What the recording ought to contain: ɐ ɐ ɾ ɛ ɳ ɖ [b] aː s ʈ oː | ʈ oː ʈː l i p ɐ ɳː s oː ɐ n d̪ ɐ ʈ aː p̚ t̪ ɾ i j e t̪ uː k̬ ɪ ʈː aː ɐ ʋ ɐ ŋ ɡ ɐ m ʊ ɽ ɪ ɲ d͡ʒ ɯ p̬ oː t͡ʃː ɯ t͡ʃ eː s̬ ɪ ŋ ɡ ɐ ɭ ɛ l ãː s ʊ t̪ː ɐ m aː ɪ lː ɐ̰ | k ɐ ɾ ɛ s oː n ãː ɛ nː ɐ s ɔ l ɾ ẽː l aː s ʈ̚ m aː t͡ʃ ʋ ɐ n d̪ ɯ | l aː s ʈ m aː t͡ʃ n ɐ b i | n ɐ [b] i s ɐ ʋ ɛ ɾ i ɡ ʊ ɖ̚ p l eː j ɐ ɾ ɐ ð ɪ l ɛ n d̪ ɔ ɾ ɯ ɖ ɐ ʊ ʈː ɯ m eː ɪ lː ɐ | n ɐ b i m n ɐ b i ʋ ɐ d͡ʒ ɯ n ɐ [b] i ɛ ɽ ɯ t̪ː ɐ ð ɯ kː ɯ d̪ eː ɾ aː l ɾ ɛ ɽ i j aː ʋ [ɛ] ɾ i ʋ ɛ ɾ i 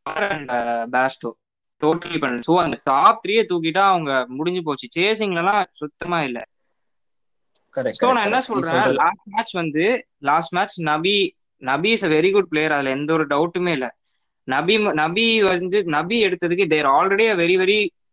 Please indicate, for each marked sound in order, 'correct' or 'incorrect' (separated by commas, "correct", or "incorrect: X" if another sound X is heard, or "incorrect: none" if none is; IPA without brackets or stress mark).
correct, correct, correct, correct